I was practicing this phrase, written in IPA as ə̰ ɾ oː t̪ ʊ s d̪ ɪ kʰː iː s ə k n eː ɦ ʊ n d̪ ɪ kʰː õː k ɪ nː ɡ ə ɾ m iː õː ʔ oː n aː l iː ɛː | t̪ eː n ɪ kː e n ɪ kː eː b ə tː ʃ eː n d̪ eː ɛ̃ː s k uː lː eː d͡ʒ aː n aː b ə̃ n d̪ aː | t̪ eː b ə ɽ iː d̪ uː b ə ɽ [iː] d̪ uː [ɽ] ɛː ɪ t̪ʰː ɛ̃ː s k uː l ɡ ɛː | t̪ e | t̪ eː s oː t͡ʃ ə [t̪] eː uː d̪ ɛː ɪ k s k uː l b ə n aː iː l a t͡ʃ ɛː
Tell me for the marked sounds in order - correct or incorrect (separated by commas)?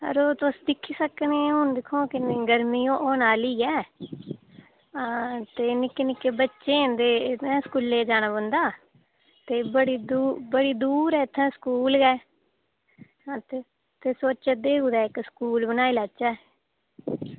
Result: correct, incorrect, incorrect